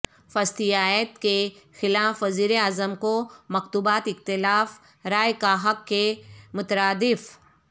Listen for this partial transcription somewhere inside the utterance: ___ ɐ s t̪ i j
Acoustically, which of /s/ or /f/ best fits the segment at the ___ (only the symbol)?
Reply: f